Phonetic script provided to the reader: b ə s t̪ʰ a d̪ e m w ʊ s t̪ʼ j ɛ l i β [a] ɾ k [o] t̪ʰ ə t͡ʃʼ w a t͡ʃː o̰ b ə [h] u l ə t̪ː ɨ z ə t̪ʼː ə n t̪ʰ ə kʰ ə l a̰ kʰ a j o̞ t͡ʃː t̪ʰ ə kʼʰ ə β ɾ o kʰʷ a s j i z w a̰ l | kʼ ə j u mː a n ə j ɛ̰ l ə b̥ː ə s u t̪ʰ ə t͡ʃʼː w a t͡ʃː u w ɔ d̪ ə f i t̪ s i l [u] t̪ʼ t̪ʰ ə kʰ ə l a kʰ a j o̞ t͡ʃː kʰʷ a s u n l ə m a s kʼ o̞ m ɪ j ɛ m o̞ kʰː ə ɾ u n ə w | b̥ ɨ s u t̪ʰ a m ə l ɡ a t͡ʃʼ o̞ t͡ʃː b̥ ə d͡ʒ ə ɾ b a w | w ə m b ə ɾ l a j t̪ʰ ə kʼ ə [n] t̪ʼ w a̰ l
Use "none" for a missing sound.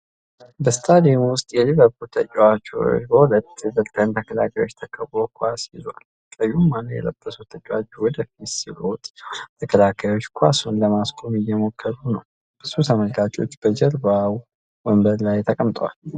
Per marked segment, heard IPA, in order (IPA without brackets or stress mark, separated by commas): ə, u, h, o, m